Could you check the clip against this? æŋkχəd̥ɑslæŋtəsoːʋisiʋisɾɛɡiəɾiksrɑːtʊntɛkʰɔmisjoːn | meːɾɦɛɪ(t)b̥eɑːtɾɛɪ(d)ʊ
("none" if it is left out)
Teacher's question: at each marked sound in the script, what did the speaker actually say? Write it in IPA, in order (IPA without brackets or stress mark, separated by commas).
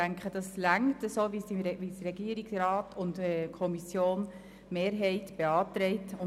t, t